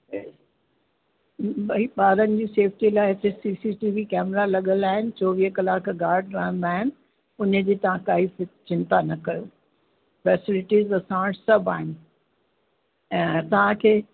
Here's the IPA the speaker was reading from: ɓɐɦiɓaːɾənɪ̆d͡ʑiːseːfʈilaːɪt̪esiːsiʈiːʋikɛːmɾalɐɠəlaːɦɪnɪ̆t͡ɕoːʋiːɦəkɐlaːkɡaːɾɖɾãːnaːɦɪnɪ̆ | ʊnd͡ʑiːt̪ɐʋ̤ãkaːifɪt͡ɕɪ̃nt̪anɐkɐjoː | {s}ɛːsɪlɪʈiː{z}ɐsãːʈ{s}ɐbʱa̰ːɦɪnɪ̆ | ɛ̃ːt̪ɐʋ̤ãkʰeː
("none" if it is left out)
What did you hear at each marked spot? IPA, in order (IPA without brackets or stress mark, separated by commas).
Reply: f, z, s